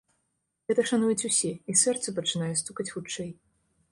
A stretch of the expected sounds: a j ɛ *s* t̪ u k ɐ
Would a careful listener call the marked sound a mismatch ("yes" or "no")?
no